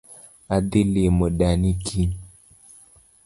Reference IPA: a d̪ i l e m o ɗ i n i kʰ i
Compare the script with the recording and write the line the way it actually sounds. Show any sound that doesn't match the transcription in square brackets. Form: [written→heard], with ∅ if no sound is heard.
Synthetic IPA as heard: a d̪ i l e m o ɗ [i→a] n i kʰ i

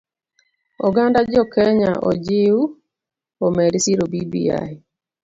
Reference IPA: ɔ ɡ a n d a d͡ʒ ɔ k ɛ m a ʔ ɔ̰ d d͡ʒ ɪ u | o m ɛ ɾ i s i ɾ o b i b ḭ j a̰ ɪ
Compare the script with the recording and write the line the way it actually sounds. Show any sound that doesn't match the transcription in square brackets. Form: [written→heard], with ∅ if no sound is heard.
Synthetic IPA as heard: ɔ ɡ a n d a d͡ʒ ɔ k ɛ [m→ɲ] a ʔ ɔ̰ [d→∅] d͡ʒ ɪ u | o m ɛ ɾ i s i ɾ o b i b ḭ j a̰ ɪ

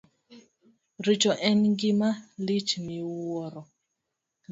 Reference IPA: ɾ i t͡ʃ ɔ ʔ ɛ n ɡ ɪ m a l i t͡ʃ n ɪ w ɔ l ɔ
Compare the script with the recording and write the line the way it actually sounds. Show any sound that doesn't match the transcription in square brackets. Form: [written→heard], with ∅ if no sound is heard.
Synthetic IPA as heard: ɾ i t͡ʃ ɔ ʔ ɛ n ɡ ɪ m a l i t͡ʃ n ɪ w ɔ [l→ɾ] ɔ

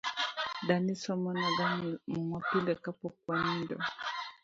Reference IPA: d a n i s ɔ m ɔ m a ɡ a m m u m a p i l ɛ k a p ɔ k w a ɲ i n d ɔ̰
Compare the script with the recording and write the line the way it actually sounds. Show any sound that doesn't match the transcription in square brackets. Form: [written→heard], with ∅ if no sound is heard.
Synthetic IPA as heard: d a n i s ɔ m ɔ [m→n] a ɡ a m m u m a p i l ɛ k a p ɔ k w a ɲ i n d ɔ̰

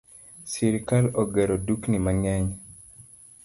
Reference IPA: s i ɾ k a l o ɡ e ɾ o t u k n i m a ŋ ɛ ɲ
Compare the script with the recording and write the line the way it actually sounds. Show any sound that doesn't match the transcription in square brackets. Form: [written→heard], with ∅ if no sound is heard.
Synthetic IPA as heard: s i ɾ k a l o ɡ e ɾ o [t→d] u k n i m a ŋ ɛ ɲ

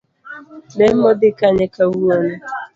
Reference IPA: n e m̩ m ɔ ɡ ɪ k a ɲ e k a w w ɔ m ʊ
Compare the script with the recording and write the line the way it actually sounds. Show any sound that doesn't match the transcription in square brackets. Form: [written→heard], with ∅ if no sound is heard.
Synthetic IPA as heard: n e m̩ m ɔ [ɡ→d] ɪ k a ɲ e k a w [w→u] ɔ [m→n] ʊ

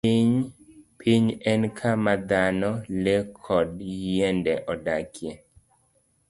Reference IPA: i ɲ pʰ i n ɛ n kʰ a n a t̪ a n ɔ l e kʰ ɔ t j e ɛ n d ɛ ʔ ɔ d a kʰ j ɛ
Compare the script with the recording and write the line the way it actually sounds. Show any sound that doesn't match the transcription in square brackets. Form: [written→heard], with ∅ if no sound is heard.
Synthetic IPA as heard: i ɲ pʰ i [n→ɲ] ɛ n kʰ a [n→m] a [t̪→d̪] a n ɔ l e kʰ ɔ [t→d] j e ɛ n d ɛ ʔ ɔ d a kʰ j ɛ

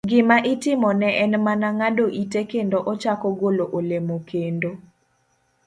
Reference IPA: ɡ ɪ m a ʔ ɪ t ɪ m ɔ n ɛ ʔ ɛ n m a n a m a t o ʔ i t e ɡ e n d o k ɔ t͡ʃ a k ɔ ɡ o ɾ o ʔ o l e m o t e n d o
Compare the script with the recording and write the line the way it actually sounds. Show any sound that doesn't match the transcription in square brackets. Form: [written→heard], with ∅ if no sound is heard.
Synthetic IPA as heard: ɡ ɪ m a ʔ ɪ t ɪ m ɔ n ɛ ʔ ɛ n m a n a [m→ŋ] a [t→d] o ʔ i t e [ɡ→k] e n d o [k→ʔ] ɔ t͡ʃ a k ɔ ɡ o [ɾ→l] o ʔ o l e m o [t→k] e n d o

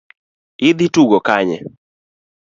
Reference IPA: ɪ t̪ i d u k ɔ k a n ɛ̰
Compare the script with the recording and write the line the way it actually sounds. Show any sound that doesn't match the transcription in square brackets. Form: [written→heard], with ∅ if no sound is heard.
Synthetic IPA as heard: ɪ [t̪→d̪] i [d→t] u [k→ɡ] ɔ k a [n→ɲ] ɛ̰

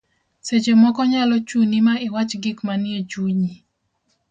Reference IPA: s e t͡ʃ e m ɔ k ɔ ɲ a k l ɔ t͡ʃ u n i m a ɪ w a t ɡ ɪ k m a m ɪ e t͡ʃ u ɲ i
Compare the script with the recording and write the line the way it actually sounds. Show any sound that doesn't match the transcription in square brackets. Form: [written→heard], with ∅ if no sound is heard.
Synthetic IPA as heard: s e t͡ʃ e m ɔ k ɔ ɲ a [k→∅] l ɔ t͡ʃ u n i m a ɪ w a [t→t͡ʃ] ɡ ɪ k m a [m→n] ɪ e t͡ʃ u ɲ i

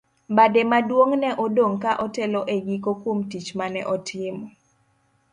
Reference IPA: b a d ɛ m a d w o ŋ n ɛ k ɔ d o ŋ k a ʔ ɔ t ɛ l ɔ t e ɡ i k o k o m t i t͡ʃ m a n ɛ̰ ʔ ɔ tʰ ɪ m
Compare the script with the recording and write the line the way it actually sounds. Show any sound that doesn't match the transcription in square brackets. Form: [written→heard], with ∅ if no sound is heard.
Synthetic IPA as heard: b a d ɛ m a d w o ŋ n ɛ [k→ʔ] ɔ d o ŋ k a ʔ ɔ t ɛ l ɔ [t→ʔ] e ɡ i k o k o m t i t͡ʃ m a n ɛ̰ ʔ ɔ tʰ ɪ m

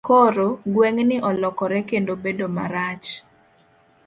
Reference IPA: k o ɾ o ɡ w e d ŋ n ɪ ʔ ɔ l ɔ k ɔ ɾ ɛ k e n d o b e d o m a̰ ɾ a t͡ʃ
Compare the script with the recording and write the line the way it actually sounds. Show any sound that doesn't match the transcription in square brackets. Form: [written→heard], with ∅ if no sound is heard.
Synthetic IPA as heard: k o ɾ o ɡ w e [d→∅] ŋ n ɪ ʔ ɔ l ɔ k ɔ ɾ ɛ k e n d o b e d o m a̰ ɾ a t͡ʃ

